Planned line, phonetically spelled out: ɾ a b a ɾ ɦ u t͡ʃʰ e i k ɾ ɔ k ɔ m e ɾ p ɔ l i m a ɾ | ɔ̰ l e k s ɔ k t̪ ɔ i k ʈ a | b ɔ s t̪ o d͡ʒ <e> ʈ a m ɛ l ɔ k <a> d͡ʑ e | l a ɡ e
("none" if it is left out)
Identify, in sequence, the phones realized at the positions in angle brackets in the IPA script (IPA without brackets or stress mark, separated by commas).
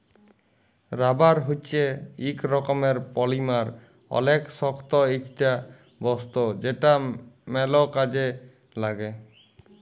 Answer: e, a